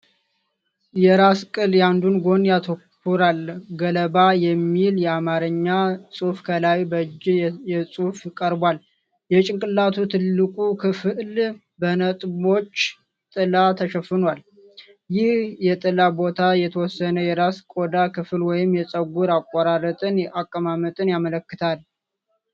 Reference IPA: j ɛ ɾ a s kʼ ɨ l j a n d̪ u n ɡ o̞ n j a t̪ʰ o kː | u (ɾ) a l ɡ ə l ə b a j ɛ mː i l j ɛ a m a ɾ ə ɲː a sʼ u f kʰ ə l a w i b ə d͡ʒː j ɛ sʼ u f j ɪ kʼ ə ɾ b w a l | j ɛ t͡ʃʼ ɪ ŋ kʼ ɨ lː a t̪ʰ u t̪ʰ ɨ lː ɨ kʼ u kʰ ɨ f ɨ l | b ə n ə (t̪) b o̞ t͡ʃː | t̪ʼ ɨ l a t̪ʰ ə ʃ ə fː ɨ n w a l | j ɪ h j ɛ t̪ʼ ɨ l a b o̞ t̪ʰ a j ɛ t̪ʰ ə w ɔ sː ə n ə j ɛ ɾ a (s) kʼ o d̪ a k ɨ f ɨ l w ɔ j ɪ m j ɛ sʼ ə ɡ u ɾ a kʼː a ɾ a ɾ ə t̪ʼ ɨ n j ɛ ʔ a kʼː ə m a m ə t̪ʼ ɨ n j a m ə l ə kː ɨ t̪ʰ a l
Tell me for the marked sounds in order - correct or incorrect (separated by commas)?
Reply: correct, incorrect, correct